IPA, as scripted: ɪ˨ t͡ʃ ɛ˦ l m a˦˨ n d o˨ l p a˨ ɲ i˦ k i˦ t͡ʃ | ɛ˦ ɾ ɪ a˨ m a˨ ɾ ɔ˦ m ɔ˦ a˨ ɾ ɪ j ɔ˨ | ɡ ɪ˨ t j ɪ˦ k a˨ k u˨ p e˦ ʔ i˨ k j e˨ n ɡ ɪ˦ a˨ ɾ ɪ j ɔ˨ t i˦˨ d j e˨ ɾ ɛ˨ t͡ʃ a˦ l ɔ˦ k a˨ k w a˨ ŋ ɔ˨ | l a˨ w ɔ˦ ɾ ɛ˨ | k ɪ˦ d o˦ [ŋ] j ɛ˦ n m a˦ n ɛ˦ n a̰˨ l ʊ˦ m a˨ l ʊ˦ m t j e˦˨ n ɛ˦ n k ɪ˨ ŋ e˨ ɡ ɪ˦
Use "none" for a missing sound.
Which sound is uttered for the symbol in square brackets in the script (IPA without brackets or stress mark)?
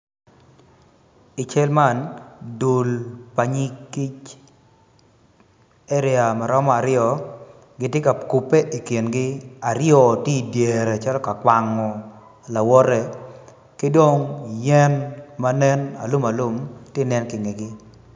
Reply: ŋ